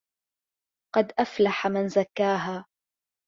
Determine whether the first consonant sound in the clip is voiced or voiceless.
voiceless